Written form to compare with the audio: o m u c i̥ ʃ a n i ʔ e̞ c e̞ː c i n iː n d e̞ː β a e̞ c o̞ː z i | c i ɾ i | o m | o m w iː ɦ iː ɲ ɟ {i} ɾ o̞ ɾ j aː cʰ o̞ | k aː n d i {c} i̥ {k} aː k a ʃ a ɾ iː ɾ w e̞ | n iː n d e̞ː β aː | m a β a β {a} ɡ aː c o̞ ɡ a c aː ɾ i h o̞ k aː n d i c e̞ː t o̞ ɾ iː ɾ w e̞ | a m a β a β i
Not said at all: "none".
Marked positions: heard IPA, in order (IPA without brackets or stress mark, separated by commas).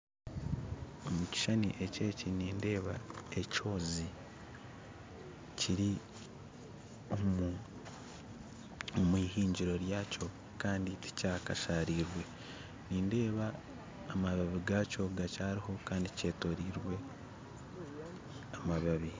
i, t, c, i